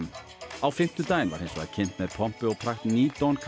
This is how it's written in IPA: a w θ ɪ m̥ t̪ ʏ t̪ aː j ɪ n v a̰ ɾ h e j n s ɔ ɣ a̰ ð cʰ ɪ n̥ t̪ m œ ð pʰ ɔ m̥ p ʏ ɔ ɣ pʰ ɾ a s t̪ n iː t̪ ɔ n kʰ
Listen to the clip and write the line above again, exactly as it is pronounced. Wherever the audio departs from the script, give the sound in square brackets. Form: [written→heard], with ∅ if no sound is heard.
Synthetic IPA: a w [θ→f] ɪ m̥ t̪ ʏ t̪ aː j ɪ n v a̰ ɾ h e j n s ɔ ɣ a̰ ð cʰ ɪ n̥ t̪ m [œ→ɛ] ð pʰ ɔ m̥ p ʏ ɔ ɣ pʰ ɾ a [s→x] t̪ n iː t̪ ɔ n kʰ